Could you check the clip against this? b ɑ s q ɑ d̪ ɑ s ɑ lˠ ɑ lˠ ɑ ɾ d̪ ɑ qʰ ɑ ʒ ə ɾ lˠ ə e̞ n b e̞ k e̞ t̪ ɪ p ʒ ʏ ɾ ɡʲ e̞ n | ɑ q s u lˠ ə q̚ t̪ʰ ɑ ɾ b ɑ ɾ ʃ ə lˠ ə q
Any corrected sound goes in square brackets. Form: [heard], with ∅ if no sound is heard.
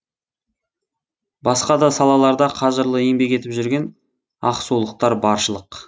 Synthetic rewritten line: b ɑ s q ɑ d̪ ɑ s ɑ lˠ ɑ lˠ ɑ ɾ d̪ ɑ qʰ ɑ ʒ ə ɾ lˠ ə e̞ [ŋ] b e̞ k e̞ t̪ ɪ p ʒ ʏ ɾ ɡʲ e̞ n | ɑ q s u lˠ ə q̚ [t̪] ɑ ɾ b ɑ ɾ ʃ ə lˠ ə q